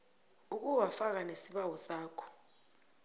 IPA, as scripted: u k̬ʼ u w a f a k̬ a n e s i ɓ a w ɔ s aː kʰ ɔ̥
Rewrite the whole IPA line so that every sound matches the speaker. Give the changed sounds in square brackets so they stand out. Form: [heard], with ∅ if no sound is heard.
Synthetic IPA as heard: u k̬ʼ u w a f a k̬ a n e s i ɓ a w ɔ s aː kʰ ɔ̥